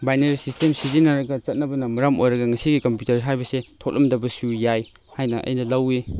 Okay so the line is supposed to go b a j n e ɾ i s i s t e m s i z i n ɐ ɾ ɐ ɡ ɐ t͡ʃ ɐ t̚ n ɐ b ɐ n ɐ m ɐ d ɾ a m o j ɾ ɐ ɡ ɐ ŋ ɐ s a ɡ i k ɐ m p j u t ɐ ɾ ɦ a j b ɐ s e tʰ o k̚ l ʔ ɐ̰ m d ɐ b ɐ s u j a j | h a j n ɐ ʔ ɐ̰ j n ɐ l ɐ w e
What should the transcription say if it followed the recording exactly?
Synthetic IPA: b a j n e ɾ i s i s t e m s i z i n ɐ ɾ ɐ ɡ ɐ t͡ʃ ɐ t̚ n ɐ b ɐ n ɐ m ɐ ɾ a m o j ɾ ɐ ɡ ɐ ŋ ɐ s i ɡ i k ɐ m p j u t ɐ ɾ ɦ a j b ɐ s e tʰ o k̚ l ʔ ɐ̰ m d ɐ b ɐ s u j a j | h a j n ɐ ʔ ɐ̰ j n ɐ l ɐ w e

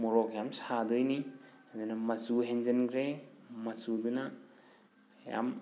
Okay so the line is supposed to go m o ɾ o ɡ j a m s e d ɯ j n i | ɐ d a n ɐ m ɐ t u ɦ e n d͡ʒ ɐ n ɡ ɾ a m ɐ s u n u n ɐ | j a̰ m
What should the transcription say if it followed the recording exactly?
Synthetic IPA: m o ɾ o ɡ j a m s a d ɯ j n i | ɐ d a n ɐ m ɐ s u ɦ e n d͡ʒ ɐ n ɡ ɾ e m ɐ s u d u n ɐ | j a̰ m

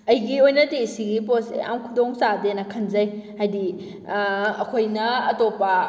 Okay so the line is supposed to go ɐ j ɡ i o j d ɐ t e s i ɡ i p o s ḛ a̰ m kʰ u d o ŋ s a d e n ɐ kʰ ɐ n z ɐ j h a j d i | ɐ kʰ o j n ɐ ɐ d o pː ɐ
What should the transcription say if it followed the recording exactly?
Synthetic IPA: ɐ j ɡ i o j n ɐ t e s i ɡ i p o s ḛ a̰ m kʰ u d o ŋ s a d e n ɐ kʰ ɐ n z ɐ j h a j d i | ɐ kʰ o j n ɐ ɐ t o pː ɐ

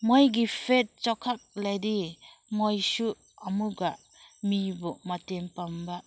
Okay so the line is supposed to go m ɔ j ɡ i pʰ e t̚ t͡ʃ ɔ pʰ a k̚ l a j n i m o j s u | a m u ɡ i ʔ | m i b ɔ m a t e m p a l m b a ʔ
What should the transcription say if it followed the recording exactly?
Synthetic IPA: m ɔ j ɡ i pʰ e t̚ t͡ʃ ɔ kʰ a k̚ l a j d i m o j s u | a m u ɡ a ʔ | m i b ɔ m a t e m p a m b a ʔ

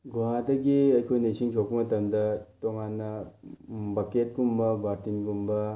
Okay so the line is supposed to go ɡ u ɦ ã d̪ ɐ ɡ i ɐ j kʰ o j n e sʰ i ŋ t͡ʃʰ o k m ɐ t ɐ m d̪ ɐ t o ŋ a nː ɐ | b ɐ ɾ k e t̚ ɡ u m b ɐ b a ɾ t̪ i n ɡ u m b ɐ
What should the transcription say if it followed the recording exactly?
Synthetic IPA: ɡ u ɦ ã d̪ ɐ ɡ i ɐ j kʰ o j n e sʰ i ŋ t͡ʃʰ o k m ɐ t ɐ m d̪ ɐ t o ŋ a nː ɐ | b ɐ k e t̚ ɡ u m b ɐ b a ɾ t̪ i n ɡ u m b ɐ

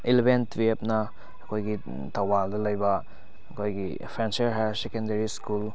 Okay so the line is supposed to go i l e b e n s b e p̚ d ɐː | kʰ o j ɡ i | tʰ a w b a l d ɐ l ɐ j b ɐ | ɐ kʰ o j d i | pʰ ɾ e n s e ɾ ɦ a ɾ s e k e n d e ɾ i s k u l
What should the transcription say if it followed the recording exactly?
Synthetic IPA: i l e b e n t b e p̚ n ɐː | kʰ o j ɡ i | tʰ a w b a l d ɐ l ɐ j b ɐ | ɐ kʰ o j ɡ i | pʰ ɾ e n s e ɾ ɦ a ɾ s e k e n d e ɾ i s k u l

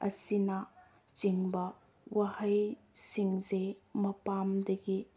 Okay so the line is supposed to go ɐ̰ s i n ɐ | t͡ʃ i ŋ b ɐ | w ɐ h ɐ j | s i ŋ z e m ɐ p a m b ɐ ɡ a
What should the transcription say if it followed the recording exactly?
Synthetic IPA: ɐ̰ s i n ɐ | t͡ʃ i ŋ b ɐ | w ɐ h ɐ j | s i ŋ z e m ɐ p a m d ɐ ɡ i

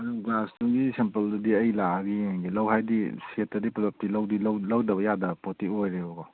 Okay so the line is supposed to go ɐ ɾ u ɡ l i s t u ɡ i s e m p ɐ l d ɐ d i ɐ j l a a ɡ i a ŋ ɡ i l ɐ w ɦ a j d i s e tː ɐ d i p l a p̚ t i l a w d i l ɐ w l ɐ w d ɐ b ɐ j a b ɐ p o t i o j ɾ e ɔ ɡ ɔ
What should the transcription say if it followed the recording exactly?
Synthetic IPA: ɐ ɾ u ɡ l a s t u ɡ i s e m p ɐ l d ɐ d i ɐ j l a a ɡ i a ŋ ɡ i l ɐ w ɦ a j d i s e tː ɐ d i p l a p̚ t i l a w d i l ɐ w l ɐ w d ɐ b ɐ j a d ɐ p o t i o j ɾ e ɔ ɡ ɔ

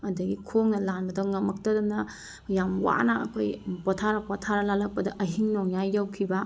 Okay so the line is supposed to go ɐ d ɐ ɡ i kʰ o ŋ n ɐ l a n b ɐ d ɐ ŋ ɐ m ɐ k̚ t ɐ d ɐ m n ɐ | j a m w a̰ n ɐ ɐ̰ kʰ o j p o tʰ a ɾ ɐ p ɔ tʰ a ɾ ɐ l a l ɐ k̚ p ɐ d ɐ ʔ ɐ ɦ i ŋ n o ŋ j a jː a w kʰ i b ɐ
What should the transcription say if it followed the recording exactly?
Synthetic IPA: ɐ d ɐ ɡ i kʰ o ŋ n ɐ l a n b ɐ d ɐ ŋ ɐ m ɐ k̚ t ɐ d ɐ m n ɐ | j a m w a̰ n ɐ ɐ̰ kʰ o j p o tʰ a ɾ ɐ p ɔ tʰ a ɾ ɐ l a l ɐ k̚ p ɐ d ɐ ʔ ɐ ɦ i ŋ n o ŋ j a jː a w kʰ i b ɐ

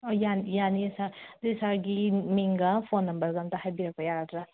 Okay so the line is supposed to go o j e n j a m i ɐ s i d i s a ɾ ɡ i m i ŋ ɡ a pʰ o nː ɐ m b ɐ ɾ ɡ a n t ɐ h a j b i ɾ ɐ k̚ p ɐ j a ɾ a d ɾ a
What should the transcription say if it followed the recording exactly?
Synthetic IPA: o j a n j a n i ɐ s a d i s a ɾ ɡ i m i ŋ ɡ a pʰ o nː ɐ m b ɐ ɾ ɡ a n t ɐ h a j b i ɾ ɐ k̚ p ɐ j a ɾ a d ɾ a

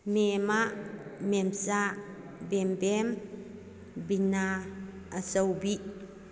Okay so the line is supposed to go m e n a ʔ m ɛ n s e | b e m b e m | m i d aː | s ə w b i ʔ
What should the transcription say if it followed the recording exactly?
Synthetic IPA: m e m a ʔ m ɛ m s a | b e m b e m | b i n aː | s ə w b i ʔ

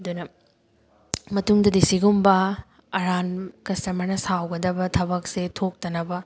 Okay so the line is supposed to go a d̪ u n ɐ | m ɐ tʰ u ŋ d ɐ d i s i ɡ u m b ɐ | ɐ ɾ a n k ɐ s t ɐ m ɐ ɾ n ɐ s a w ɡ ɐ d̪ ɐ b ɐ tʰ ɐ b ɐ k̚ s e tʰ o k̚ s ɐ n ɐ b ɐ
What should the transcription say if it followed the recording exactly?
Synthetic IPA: ɐ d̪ u n ɐ | m ɐ t u ŋ d ɐ d i s i ɡ u m b ɐ | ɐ ɾ a n k ɐ s t ɐ m ɐ ɾ n ɐ s a w ɡ ɐ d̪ ɐ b ɐ tʰ ɐ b ɐ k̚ s e tʰ o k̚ t ɐ n ɐ b ɐ

